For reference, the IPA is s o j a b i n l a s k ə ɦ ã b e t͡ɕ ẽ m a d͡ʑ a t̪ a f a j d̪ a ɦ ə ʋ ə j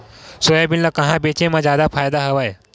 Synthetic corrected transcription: s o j a b i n l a k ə ɦ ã b e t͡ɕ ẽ m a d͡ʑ a d̪ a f a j d̪ a ɦ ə ʋ a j

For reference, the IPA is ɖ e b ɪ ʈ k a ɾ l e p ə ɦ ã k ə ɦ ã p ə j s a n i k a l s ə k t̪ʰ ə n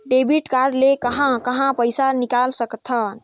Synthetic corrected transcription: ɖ e b i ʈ k a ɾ l e k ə ɦ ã k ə ɦ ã p ə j s a n i k a l s ə k t̪ʰ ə n

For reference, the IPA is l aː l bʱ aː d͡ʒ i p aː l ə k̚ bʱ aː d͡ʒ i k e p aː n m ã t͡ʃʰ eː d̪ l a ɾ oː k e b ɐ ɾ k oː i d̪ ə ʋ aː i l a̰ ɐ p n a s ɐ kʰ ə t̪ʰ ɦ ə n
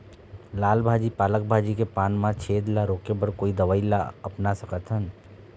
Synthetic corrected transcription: l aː l bʱ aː d͡ʒ i p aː l ə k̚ bʱ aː d͡ʒ i k e p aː n m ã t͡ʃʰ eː d̪ l a ɾ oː k e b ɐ ɾ k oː i d̪ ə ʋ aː i l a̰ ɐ p n a s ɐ k ə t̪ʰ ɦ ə n

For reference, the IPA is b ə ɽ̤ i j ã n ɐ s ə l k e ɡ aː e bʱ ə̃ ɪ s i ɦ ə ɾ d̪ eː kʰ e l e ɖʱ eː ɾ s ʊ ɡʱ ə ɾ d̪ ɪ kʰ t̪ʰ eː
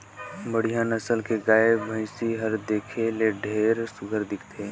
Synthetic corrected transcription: b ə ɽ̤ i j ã n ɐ s ə l k e ɡ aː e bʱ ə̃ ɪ s i ɦ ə ɾ d̪ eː kʰ e l e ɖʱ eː ɾ s ʊ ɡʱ ə ɾ d̪ ɪ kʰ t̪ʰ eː

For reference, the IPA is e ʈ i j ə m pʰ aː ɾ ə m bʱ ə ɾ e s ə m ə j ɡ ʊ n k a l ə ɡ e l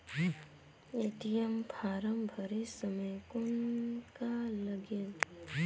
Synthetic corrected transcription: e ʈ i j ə m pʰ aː ɾ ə m bʱ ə ɾ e s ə m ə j k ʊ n k a l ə ɡ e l

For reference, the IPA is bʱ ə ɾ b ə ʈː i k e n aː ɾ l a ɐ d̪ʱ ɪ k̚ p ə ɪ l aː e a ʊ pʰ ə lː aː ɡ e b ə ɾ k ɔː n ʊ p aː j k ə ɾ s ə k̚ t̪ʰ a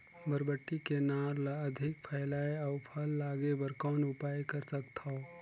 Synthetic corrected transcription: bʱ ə ɾ b ə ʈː i k e n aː ɾ l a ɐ d̪ʱ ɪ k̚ pʰ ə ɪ l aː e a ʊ pʰ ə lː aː ɡ e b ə ɾ k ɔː n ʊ p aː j k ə ɾ s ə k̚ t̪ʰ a

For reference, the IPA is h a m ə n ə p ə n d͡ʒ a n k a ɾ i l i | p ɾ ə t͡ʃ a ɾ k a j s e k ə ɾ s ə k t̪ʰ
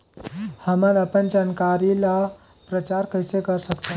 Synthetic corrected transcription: h ə m ə n ə p ə n d͡ʒ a n k a ɾ i l a | p ɾ ə t͡ʃ a ɾ k ə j s e k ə ɾ s ə k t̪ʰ

